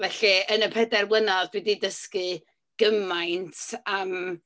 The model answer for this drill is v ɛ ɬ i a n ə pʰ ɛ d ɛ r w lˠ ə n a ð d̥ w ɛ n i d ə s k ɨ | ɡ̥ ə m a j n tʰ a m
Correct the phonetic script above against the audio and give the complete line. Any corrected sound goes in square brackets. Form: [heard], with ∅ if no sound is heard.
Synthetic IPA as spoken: v ɛ ɬ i [ə] n ə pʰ ɛ d ɛ r w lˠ ə n a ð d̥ w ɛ [d] i d ə s k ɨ | ɡ̥ ə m a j n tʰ a m